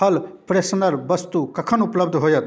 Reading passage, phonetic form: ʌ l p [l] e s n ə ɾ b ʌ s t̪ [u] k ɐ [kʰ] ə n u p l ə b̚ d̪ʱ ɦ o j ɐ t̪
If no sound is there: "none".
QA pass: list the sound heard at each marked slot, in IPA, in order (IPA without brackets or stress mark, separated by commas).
ɾ, u, kʰ